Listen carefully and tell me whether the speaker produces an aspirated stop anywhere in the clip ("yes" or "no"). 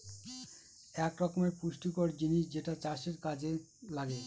no